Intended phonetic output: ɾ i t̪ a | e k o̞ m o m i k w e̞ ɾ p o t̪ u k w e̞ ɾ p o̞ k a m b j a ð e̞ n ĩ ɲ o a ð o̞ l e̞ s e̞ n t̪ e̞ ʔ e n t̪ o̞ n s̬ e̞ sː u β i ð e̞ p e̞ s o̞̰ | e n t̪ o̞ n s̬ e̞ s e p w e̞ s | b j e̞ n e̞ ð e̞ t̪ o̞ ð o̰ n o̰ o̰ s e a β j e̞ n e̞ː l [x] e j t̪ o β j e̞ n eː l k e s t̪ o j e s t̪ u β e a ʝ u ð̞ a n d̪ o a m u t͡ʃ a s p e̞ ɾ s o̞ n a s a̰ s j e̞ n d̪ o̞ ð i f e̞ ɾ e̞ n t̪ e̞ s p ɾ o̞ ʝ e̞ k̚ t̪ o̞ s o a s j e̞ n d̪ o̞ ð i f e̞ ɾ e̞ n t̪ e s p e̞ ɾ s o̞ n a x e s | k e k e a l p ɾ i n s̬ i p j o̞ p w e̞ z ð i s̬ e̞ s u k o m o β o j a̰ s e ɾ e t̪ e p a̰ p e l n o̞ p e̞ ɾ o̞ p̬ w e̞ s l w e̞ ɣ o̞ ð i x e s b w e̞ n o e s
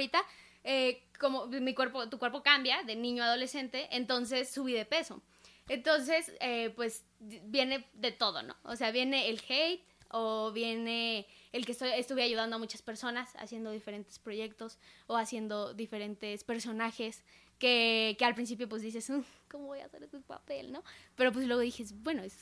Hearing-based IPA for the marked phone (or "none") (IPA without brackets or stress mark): x